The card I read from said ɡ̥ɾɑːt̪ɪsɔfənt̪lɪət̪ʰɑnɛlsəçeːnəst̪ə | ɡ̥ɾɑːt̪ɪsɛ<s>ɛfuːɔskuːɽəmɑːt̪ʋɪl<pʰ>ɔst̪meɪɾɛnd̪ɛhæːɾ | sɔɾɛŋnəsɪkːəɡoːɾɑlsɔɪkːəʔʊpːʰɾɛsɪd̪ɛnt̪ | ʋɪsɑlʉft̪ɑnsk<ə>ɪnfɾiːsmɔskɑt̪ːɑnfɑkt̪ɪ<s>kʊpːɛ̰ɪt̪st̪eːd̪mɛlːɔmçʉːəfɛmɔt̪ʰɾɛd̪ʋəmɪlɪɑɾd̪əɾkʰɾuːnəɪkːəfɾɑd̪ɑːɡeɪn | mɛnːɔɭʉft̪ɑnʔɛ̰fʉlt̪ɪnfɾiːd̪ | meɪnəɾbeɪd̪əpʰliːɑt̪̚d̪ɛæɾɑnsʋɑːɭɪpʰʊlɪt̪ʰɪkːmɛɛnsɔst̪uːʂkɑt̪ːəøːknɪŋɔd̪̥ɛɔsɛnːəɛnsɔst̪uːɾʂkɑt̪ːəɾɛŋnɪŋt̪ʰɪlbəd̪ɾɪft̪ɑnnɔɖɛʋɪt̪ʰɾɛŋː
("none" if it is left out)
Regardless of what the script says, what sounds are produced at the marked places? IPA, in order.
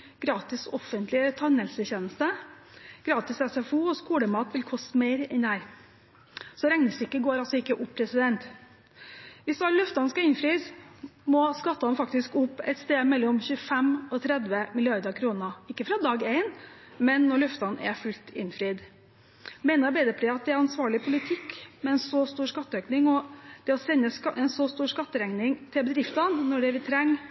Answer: s, kʰ, ɑ, s

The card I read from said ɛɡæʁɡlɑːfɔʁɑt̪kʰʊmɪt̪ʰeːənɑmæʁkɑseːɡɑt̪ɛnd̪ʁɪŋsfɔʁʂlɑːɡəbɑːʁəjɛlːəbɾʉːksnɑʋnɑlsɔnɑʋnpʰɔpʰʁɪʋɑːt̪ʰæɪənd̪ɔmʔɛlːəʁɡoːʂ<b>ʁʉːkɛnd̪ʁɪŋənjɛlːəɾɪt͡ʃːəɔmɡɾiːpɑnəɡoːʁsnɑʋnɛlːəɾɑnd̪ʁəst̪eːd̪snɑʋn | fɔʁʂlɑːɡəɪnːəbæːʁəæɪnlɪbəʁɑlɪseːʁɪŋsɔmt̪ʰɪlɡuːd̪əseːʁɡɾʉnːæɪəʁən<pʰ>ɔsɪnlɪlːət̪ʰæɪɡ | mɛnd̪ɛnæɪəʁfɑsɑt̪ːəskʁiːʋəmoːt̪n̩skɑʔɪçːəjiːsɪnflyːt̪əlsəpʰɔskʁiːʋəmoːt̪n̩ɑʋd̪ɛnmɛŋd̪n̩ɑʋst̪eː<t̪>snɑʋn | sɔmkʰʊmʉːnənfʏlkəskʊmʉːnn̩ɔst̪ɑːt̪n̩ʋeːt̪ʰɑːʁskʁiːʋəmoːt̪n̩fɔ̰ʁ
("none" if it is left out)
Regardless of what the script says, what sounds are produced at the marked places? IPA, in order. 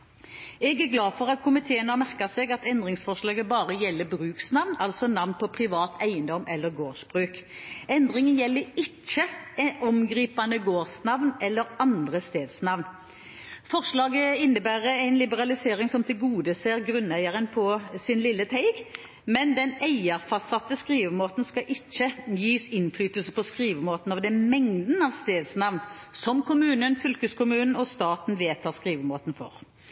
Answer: b, pʰ, d̪

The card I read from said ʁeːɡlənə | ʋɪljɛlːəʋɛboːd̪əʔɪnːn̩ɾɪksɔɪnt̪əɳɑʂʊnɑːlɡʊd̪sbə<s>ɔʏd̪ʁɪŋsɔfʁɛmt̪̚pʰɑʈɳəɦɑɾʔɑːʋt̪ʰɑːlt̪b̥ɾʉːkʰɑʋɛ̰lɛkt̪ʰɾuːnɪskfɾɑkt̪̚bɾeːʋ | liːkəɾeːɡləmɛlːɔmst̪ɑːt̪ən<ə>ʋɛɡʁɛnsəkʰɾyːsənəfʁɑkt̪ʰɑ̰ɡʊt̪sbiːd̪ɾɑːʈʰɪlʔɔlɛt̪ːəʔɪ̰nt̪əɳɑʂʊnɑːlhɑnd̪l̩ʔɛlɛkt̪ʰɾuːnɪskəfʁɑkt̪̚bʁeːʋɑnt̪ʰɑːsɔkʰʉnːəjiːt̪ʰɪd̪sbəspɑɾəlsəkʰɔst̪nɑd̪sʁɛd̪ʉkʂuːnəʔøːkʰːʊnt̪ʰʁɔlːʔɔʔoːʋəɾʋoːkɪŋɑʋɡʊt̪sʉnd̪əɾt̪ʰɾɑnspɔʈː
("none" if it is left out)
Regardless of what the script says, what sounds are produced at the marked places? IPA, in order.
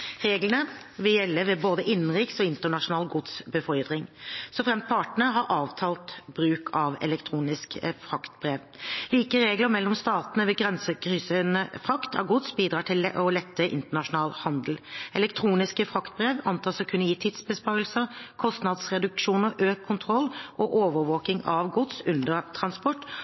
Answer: f, ə

